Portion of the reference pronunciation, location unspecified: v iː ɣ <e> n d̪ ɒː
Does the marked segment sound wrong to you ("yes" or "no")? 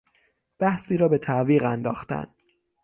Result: yes